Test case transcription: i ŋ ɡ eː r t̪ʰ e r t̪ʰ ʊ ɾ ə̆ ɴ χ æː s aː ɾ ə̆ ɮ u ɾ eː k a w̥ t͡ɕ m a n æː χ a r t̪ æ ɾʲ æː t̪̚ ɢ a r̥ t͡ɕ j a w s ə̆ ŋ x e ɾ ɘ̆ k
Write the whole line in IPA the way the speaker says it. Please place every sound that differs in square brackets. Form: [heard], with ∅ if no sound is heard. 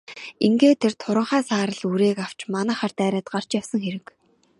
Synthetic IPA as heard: i ŋ ɡ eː [∅] t̪ʰ e r t̪ʰ ʊ ɾ ə̆ ɴ χ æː s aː ɾ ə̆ ɮ u ɾ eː k a w̥ t͡ɕ m a n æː χ a r t̪ [æː] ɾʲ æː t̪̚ ɢ a r̥ t͡ɕ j a w s ə̆ ŋ x e ɾ ɘ̆ k